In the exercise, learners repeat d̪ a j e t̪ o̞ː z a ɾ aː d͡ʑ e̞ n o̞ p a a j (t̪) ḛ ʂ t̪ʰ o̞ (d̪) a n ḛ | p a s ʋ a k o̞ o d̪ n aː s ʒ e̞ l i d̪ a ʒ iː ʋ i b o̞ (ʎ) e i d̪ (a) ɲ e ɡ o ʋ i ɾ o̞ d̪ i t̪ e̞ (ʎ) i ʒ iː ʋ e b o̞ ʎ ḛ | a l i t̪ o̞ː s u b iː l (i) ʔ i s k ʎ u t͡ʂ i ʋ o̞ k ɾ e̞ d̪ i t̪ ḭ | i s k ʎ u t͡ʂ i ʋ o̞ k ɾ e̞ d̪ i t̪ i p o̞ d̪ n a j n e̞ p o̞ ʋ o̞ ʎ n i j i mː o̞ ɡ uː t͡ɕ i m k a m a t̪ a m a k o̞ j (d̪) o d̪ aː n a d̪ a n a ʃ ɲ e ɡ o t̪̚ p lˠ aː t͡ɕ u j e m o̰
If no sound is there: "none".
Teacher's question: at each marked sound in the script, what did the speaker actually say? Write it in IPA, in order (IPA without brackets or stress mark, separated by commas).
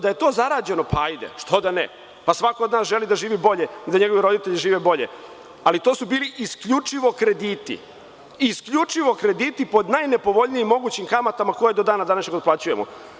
d̪, d̪, ʎ, a, ʎ, i, d̪